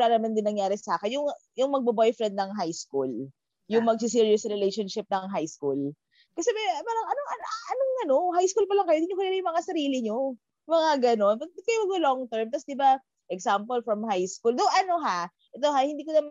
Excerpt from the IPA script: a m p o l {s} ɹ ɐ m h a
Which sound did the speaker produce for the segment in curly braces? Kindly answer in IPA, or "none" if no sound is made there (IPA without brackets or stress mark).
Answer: f